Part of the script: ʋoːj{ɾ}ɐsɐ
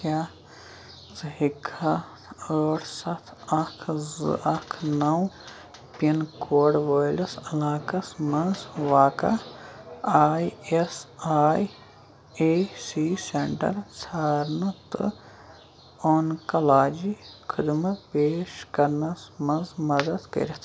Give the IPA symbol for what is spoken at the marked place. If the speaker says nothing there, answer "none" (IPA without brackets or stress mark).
l